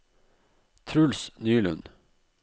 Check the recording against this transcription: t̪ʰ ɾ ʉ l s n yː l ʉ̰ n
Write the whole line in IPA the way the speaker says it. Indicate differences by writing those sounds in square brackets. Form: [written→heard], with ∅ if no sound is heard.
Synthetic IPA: t̪ʰ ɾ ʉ l s n yː l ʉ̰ n